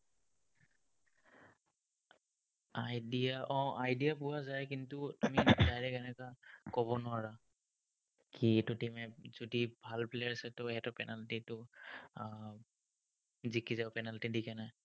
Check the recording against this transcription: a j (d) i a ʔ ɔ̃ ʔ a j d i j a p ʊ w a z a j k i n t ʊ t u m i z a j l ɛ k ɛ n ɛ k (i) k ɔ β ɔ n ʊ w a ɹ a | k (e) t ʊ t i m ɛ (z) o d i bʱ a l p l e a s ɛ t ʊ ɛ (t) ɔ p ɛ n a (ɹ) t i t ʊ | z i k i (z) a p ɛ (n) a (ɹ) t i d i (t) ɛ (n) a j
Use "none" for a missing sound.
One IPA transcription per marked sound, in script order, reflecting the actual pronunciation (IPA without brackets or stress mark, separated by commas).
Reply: d, a, i, z, t, l, z, n, l, k, n